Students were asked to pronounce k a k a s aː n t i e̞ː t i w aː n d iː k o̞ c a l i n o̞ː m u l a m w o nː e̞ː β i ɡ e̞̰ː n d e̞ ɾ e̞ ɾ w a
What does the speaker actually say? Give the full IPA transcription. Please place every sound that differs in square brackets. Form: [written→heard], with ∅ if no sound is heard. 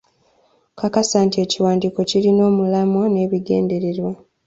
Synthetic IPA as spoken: k a k a s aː n t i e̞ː [t→c] i w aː n d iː k o̞ c [a→i] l i n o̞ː m u l a m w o [nː→n] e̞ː β i ɡ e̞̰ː n d e̞ ɾ e̞ ɾ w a

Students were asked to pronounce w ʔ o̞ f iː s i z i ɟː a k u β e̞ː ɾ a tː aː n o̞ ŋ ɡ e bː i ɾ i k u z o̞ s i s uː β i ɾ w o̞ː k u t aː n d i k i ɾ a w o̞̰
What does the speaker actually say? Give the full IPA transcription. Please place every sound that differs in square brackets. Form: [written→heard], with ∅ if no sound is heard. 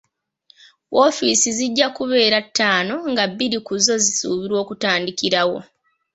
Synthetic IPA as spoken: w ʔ o̞ f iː s i z i ɟː a k u β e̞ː ɾ a tː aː n o̞ ŋ ɡ [e→a] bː i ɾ i k u z o̞ [s→z] i s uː β i ɾ w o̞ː k u t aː n d i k i ɾ a w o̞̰

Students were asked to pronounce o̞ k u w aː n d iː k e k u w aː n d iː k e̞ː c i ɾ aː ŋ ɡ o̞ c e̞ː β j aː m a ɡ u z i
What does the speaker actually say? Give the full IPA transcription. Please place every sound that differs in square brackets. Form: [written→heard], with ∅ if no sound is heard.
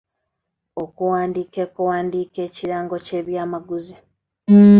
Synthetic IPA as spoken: o̞ k u w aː n d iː k e k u w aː n d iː k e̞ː c i ɾ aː ŋ ɡ o̞ c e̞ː β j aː m a ɡ u z i

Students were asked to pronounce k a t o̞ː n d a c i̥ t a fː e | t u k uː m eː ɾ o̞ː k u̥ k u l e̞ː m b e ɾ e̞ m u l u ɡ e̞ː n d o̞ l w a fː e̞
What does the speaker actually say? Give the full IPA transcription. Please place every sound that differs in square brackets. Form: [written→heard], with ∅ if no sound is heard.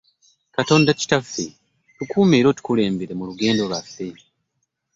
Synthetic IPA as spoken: k a t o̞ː n d a c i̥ t a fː e | t u k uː m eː ɾ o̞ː [k→t] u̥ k u l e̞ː m b e ɾ e̞ m u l u ɡ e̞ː n d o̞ l w a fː e̞

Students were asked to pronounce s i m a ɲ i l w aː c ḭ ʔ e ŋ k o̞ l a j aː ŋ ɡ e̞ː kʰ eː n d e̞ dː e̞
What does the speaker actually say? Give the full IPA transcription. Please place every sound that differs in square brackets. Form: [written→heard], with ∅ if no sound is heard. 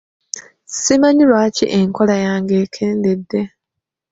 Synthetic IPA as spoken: s i m a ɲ i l w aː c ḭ ʔ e ŋ k o̞ l a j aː ŋ ɡ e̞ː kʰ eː n d e̞ dː e̞

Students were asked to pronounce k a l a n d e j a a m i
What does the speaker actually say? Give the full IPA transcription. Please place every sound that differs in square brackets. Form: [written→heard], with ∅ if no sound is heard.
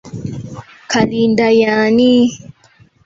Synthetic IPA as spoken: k a l [a→i] n d [e→a] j a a [m→n] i

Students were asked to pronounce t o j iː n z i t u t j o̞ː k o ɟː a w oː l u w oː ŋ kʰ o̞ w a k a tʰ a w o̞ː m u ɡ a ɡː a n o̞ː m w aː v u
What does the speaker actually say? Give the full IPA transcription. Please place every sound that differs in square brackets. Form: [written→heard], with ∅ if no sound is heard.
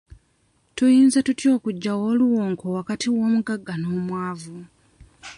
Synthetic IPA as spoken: t [o→u] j iː n z [i→a] t u t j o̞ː k [o→u] ɟː a w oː l u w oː ŋ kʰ o̞ w a k a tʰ [a→i] w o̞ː m u ɡ a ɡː a n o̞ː m w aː v u

